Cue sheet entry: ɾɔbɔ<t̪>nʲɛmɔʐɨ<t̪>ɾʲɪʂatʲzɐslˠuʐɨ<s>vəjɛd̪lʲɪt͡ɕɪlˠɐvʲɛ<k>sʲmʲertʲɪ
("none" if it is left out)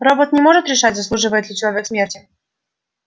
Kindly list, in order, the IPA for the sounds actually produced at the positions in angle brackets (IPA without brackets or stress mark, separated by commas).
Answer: t̪, t̪, none, k